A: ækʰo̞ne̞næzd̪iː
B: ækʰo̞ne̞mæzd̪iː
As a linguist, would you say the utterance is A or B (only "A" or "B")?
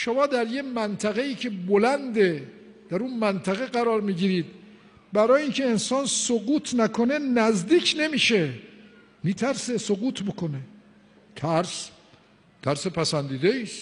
A